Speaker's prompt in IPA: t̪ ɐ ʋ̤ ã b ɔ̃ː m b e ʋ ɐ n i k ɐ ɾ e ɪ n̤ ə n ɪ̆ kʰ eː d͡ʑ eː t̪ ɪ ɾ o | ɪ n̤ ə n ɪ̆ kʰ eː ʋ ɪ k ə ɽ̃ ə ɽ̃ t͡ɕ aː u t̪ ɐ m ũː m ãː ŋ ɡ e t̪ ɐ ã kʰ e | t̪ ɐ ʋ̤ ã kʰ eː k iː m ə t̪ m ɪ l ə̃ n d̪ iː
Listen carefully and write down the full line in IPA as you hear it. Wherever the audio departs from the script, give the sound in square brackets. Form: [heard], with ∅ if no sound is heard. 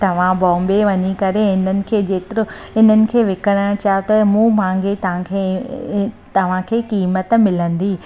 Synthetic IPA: t̪ ɐ ʋ̤ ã b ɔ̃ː m b e ʋ ɐ [ɲ] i k ɐ ɾ e ɪ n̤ ə n ɪ̆ kʰ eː d͡ʑ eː t̪ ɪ ɾ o | ɪ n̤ ə n ɪ̆ kʰ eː ʋ ɪ k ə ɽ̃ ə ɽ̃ t͡ɕ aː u t̪ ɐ m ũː m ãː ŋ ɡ e t̪ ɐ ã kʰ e | t̪ ɐ ʋ̤ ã kʰ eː k iː m ə t̪ m ɪ l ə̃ n d̪ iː